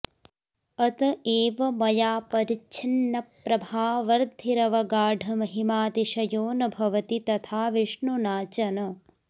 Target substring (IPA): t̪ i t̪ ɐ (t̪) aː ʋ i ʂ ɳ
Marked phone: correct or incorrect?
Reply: incorrect: t̪ʰ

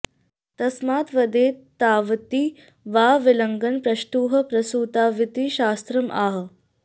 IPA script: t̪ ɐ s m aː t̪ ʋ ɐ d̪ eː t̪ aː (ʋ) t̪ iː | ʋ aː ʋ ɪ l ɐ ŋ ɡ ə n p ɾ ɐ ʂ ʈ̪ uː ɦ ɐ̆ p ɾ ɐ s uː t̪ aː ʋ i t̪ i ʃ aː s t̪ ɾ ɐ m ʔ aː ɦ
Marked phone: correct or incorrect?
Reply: correct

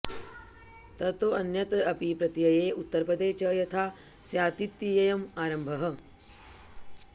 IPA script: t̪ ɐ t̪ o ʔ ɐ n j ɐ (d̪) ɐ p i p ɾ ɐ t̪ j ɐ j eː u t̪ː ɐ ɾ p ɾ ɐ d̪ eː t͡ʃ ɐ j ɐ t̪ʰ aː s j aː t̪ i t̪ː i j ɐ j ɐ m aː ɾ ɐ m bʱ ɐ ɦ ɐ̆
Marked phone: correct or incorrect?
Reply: incorrect: t̪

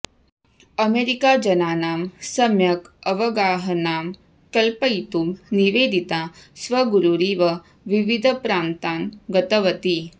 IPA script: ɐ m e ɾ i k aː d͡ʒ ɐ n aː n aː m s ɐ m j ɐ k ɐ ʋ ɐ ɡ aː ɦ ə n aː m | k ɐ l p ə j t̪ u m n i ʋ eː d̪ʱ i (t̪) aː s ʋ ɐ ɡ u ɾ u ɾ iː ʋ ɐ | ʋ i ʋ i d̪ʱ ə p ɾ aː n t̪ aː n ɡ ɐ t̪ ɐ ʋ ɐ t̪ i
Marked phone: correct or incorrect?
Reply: correct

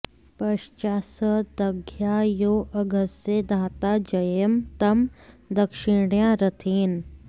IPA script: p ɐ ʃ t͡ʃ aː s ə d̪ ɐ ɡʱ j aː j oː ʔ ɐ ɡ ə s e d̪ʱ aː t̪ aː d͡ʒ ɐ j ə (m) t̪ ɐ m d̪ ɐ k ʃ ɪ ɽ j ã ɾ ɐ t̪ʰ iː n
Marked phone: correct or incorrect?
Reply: correct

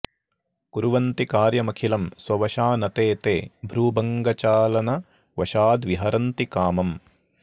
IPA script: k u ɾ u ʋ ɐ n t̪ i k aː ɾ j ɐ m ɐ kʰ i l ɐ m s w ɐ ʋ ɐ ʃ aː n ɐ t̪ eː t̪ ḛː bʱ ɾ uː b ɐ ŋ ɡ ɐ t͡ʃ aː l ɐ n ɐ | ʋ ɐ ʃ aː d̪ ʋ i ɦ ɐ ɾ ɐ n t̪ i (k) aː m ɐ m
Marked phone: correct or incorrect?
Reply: correct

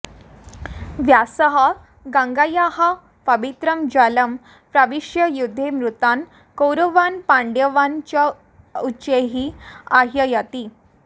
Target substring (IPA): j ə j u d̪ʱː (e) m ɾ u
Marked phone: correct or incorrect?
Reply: correct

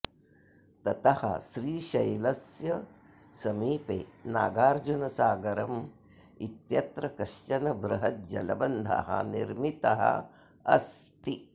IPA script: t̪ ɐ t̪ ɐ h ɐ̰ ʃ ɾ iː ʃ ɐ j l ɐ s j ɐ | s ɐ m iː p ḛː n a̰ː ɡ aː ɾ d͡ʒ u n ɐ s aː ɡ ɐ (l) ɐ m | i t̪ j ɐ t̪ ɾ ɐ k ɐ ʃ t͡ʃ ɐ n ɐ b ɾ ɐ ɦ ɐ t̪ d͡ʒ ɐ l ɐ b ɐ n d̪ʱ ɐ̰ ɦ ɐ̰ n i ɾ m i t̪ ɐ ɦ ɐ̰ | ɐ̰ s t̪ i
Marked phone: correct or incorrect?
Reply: incorrect: ɾ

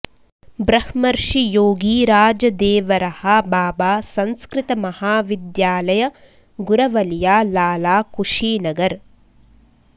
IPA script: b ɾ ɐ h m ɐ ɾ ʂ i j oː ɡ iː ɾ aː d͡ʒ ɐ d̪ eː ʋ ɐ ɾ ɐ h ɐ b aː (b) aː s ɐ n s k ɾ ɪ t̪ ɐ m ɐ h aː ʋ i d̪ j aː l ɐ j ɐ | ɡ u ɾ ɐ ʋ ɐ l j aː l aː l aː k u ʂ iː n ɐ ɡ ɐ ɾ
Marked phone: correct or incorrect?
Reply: correct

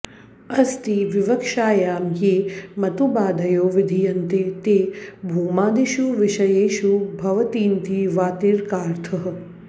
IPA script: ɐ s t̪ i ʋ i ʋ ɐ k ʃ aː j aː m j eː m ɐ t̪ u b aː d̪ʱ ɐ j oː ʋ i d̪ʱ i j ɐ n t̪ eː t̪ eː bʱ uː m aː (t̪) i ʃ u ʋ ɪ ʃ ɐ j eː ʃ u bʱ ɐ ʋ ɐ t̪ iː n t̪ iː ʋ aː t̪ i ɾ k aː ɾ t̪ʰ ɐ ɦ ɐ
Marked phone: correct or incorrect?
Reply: incorrect: d̪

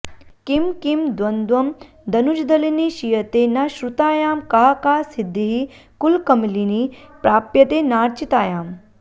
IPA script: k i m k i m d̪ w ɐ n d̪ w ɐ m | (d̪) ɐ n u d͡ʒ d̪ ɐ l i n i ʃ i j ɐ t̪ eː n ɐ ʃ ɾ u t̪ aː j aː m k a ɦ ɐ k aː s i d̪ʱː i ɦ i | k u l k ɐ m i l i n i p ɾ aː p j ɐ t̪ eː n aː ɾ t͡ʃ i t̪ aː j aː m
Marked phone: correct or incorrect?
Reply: correct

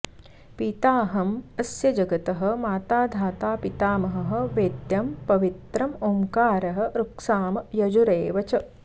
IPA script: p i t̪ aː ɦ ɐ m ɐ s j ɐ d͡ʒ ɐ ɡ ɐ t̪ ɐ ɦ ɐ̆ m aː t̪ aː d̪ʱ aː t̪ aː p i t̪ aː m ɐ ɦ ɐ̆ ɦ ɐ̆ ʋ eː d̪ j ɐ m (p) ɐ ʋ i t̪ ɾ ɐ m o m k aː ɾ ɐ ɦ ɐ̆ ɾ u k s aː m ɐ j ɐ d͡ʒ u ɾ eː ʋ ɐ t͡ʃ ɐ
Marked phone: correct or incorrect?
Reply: correct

